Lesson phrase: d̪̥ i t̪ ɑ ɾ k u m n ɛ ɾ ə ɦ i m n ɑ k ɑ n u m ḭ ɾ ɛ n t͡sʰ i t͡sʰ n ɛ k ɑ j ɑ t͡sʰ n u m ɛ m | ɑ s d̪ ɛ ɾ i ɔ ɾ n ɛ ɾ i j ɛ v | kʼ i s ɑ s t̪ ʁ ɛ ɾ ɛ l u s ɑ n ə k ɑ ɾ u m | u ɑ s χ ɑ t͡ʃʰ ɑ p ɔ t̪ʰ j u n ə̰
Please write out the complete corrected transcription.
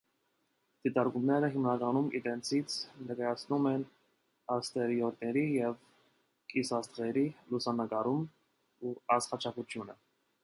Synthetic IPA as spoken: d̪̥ i t̪ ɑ ɾ k u m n ɛ ɾ ə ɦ i m n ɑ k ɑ n u m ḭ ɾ ɛ n t͡sʰ i t͡sʰ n ɛ k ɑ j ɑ t͡sʰ n u m ɛ n | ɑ s t̪ ɛ ɾ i ɔ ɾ n ɛ ɾ i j ɛ v | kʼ i s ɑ s t̪ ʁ ɛ ɾ i l u s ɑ n ə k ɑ ɾ u m | u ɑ s χ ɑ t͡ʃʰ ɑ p u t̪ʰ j u n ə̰